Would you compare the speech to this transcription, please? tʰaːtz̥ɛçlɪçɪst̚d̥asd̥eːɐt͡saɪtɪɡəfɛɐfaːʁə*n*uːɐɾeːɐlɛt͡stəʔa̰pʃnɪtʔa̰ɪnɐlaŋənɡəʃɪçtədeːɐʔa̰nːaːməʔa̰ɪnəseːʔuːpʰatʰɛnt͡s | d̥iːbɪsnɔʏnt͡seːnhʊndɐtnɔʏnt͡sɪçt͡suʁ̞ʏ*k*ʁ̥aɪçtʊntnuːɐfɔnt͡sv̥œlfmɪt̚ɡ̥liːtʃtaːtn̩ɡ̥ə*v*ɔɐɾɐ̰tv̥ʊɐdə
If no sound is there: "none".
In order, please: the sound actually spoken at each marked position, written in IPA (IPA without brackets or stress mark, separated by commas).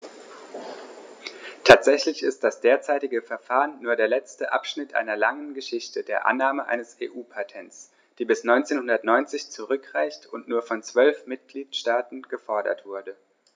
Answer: nː, k, f